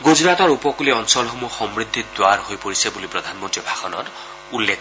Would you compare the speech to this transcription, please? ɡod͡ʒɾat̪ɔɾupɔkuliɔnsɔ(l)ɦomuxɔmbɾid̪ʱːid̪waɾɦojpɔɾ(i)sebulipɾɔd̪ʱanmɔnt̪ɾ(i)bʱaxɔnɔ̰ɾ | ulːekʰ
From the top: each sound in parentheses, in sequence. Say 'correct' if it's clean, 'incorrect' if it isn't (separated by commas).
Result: correct, correct, correct